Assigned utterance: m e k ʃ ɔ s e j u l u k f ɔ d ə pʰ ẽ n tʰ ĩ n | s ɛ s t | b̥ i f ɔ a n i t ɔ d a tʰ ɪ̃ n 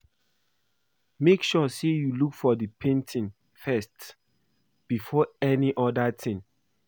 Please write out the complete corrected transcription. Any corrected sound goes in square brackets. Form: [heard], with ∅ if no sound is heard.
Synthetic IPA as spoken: m e k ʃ ɔ s e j u l u k f ɔ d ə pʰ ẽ n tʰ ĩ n | [f] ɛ s t | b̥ i f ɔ [ɛ] n i [ʔ] ɔ d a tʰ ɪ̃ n